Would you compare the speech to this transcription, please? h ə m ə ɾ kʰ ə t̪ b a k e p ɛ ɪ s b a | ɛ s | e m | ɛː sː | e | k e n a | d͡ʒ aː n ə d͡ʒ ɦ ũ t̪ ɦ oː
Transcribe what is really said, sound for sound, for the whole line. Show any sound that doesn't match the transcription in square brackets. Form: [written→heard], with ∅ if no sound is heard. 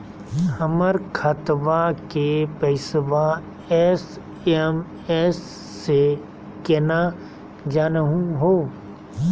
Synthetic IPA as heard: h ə m ə ɾ kʰ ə t̪ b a k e p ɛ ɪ s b a | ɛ s | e m | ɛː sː | e | k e n a | d͡ʒ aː n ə [d͡ʒ→∅] ɦ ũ [t̪→∅] ɦ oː

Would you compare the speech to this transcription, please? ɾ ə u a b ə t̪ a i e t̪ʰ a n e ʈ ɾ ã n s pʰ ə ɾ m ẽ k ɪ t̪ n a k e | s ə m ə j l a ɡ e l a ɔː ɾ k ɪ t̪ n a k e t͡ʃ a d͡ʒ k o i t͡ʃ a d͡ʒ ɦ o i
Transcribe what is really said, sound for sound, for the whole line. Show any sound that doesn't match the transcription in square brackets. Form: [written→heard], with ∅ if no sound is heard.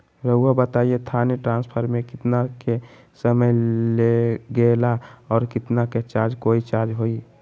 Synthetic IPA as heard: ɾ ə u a b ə t̪ a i e t̪ʰ a n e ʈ ɾ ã n s pʰ ə ɾ m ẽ k ɪ t̪ n a k e | s ə m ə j l [a→e] ɡ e l a ɔː ɾ k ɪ t̪ n a k e t͡ʃ a d͡ʒ k o i t͡ʃ a d͡ʒ ɦ o i

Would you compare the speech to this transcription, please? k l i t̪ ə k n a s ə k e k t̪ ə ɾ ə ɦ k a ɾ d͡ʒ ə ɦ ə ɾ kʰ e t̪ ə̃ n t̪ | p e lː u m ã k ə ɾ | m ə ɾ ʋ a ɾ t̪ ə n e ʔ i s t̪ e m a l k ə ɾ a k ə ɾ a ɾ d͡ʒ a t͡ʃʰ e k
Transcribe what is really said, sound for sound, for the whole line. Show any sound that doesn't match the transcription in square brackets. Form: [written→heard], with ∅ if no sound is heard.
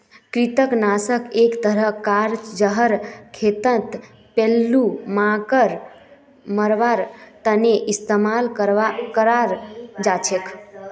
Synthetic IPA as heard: k [l→ɾ] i t̪ ə k n a s ə k e k t̪ ə ɾ ə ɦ k a ɾ d͡ʒ ə ɦ ə ɾ kʰ e t̪ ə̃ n t̪ | p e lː u m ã k ə ɾ | m ə ɾ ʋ a ɾ t̪ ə n e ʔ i s t̪ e m a l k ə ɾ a k ə ɾ a ɾ d͡ʒ a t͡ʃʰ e k

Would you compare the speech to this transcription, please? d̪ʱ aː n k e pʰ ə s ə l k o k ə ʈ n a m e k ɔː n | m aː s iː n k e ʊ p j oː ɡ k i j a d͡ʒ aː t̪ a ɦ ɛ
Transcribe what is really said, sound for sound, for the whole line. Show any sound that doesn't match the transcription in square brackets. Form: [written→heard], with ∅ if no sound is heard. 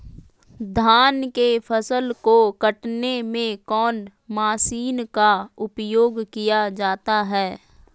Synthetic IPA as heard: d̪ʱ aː n k e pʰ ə s ə l k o k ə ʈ n [a→e] m [e→ẽ] k ɔː n | m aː s iː n k [e→a] ʊ p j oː ɡ k i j a d͡ʒ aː t̪ a ɦ [ɛ→ɛː]

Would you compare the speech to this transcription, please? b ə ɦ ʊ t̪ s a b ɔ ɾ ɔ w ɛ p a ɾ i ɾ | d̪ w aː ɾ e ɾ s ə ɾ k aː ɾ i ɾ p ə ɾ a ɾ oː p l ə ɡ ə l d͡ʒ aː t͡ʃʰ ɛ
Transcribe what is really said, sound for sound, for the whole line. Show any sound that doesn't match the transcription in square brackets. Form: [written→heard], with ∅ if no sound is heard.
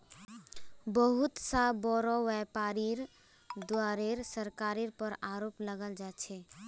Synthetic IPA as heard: b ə ɦ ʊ t̪ s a b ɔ ɾ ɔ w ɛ p a ɾ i ɾ | d̪ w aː ɾ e ɾ s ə ɾ k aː ɾ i ɾ p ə ɾ a ɾ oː p l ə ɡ ə l d͡ʒ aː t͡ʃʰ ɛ

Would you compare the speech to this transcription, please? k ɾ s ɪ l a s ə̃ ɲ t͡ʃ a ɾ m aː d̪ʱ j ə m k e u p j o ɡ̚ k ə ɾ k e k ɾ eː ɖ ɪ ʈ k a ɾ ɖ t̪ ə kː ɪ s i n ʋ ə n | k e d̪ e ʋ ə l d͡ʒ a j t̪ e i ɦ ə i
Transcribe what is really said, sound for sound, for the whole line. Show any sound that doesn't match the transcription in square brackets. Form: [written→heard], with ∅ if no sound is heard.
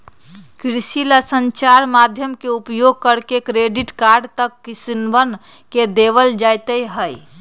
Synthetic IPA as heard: k ɾ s [ɪ→i] l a s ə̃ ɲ t͡ʃ a ɾ m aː d̪ʱ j ə m k e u p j o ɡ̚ k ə ɾ k e k ɾ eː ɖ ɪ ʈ k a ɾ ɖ t̪ ə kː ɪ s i n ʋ ə n | k e d̪ e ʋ ə l d͡ʒ a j t̪ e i ɦ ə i

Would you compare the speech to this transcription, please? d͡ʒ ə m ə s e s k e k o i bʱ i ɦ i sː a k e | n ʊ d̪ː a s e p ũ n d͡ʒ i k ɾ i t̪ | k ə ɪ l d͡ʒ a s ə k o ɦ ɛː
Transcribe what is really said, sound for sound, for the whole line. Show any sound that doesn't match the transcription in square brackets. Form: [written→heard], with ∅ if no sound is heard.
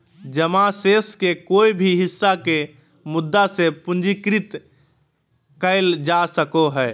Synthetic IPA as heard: d͡ʒ ə m [ə→a] s e s k e k o i bʱ i ɦ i sː a k e | [n→m] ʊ d̪ː a s e p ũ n d͡ʒ i k ɾ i t̪ | k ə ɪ l d͡ʒ a s ə k o ɦ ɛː

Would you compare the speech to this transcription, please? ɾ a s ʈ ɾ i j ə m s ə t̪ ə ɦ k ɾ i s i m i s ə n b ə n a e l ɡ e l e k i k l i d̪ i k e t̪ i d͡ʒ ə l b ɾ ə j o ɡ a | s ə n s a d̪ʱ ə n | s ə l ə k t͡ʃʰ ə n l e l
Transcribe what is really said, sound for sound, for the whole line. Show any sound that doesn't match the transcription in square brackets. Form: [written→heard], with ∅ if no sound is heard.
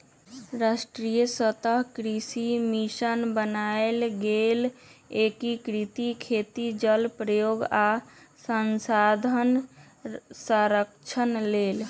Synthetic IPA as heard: ɾ a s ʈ ɾ i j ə [m→∅] s ə t̪ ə ɦ k ɾ i s i m i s ə n b ə n a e l ɡ e l e k i k [l→ɾ] i [d̪→t̪] i [k→kʰ] e t̪ i d͡ʒ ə l [b→p] ɾ ə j o ɡ a | s ə n s a d̪ʱ ə n | s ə [l→ɾ] ə k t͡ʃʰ ə n l e l

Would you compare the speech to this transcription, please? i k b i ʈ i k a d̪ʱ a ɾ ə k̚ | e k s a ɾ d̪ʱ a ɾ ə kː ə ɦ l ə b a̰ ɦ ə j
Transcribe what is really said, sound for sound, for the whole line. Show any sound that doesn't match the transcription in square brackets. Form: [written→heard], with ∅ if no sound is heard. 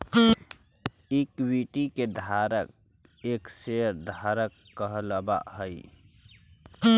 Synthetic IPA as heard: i k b i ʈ i k [a→e] d̪ʱ a ɾ ə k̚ | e k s [a→e] ɾ d̪ʱ a ɾ ə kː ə ɦ l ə b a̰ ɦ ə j

